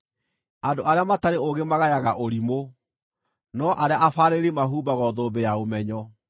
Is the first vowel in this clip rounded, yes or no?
no